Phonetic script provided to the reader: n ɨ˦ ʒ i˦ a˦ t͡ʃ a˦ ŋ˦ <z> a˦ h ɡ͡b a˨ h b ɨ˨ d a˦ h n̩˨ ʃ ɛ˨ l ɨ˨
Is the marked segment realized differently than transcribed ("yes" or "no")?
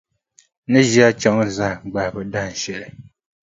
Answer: no